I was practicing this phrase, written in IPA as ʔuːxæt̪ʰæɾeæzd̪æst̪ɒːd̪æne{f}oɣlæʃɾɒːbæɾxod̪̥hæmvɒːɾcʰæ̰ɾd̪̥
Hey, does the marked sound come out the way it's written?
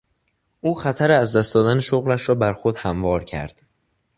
no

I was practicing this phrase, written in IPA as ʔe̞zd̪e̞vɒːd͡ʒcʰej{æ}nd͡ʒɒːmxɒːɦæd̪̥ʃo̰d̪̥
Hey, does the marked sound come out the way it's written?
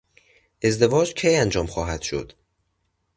yes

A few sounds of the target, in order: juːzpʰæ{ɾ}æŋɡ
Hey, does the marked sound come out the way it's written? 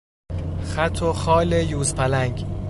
no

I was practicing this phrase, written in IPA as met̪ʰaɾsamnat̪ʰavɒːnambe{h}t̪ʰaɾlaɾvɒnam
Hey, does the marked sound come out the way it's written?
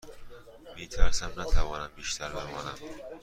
no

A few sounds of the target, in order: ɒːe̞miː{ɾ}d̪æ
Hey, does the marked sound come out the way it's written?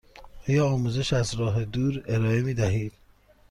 no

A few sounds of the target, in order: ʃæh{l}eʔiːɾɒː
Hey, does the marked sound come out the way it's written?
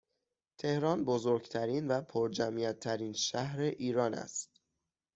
no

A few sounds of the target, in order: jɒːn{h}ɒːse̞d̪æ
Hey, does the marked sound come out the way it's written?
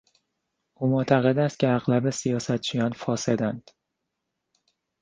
no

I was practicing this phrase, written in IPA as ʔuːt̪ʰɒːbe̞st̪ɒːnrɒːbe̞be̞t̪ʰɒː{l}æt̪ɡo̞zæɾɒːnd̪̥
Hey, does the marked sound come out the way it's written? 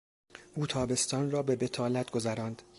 yes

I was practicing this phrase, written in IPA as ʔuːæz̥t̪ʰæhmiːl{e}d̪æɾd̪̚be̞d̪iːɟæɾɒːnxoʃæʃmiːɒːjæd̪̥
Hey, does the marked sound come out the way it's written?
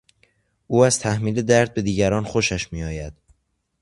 yes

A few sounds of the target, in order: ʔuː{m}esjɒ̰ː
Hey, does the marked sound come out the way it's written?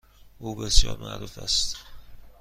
no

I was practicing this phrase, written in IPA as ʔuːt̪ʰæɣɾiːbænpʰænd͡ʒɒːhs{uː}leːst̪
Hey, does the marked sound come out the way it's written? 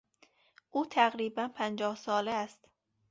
no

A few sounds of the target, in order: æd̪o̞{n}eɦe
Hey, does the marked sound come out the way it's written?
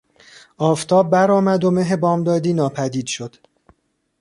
no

